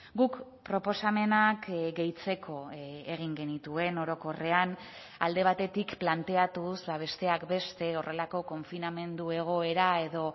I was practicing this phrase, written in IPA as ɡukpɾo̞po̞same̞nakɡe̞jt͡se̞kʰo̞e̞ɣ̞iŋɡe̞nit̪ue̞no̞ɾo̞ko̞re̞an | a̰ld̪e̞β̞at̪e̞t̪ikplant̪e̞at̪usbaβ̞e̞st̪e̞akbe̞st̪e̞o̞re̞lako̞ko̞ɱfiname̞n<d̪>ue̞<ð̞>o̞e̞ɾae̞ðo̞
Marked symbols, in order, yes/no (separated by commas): yes, no